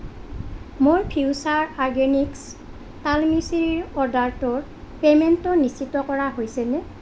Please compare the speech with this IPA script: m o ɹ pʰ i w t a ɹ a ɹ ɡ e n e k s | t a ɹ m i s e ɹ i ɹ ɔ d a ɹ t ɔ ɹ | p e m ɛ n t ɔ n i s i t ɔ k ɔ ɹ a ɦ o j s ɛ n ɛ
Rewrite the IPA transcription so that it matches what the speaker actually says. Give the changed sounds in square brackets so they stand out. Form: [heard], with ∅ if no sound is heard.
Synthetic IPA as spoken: m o ɹ pʰ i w [s] a ɹ a ɹ ɡ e n [i] k s | t a [l] m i s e ɹ i ɹ ɔ d a ɹ t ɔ ɹ | p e m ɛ n t ɔ n i s i t ɔ k ɔ ɹ a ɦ o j s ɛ n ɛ